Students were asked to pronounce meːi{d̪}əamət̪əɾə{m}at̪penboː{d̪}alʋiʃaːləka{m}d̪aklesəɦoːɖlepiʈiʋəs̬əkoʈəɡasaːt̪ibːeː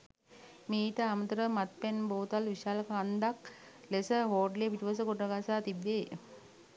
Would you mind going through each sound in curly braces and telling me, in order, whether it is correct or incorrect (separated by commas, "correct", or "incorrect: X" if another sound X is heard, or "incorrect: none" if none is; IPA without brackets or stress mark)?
incorrect: t̪, correct, incorrect: t̪, incorrect: n